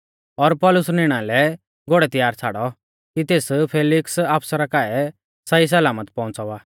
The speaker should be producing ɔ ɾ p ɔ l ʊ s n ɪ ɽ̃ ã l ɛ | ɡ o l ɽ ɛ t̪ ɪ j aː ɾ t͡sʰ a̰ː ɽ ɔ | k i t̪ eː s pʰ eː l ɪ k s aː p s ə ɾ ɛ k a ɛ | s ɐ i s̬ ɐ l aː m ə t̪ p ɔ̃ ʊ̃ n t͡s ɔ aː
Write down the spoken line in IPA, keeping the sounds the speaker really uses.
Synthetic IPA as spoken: ɔ ɾ p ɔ l ʊ s n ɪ ɽ̃ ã l ɛ | ɡ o ɽ ɛ t̪ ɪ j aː ɾ t͡sʰ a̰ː ɽ ɔ | k i t̪ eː s pʰ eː l ɪ k s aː p s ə ɾ a k a ɛ | s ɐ i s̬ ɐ l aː m ə t̪ p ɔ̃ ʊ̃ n t͡s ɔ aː